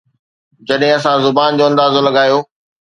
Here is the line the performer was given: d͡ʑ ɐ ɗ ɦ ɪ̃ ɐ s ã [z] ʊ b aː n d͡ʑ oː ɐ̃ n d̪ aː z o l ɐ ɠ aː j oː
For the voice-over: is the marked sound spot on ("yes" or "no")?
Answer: yes